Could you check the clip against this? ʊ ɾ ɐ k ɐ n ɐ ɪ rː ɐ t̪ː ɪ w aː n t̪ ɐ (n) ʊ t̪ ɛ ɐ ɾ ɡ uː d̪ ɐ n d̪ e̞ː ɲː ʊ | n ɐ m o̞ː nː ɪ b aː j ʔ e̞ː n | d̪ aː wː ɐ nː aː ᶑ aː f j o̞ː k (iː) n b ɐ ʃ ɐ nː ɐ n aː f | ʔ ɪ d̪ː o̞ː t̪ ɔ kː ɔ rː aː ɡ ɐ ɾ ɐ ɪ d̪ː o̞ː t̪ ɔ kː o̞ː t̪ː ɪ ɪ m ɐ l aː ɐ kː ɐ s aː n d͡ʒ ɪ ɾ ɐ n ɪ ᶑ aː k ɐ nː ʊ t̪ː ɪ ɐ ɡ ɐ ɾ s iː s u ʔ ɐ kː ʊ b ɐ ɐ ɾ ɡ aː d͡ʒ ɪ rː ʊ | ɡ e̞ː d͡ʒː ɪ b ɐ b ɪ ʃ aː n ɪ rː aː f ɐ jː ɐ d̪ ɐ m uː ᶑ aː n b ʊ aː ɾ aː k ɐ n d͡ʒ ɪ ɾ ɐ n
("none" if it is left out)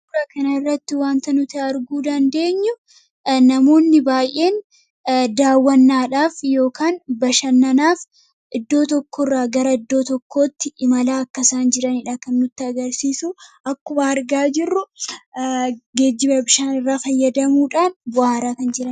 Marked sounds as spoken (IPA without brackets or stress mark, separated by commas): n, aː